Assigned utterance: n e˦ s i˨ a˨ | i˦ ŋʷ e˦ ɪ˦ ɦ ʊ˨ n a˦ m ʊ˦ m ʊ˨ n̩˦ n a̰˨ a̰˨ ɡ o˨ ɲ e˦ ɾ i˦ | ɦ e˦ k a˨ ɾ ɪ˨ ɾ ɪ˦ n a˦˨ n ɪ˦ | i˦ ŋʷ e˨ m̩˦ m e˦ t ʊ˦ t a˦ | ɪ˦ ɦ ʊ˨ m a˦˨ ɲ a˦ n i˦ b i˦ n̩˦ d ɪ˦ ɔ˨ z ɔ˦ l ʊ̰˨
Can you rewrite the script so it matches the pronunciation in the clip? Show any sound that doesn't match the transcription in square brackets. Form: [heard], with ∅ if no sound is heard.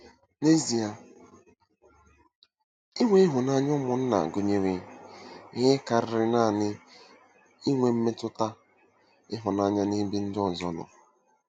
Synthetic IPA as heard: n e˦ [z] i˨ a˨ | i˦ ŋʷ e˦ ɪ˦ ɦ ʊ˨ n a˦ [ɲ] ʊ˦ m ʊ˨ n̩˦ n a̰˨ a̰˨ ɡ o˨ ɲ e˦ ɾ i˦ | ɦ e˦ k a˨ ɾ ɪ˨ ɾ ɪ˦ n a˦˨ n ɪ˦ | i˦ ŋʷ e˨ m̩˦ m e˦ t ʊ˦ t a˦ | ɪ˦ ɦ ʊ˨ [n] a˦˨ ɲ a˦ n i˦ b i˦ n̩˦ d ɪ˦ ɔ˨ z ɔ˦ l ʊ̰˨